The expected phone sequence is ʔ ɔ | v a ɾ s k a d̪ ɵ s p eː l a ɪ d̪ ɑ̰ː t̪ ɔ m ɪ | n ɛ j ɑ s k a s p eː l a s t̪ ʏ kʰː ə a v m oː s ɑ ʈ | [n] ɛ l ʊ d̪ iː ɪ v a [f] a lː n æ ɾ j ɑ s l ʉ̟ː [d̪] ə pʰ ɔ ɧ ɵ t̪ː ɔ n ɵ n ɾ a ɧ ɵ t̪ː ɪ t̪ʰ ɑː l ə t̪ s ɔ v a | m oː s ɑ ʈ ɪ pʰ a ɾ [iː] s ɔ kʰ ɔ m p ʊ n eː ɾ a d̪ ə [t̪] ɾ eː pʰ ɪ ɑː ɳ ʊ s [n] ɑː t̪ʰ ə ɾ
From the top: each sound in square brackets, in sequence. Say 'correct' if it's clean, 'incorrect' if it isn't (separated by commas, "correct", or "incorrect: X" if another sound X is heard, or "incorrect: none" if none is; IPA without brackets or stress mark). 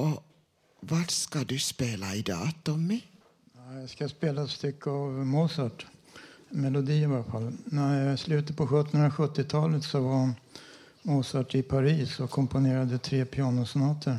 incorrect: m, correct, incorrect: t̪, correct, incorrect: t̪ʰ, correct